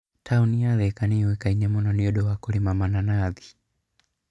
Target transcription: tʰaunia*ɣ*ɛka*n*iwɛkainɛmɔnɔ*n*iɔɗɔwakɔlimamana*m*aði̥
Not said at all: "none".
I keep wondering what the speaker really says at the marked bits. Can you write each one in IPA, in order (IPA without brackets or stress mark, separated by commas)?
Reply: ð, n, n, n